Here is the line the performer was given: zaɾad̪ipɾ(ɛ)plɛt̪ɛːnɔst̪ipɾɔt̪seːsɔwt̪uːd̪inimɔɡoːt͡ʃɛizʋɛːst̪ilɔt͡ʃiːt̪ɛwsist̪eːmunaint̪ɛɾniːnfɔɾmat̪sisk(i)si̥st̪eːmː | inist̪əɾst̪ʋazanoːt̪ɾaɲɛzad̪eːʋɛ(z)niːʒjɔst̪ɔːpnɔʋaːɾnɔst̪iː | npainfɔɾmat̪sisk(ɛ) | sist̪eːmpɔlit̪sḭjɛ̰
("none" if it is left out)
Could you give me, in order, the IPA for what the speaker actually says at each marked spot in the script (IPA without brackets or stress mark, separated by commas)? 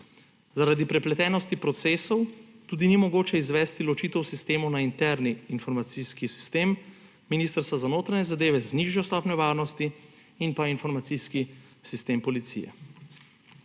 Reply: ɛ, i, z, i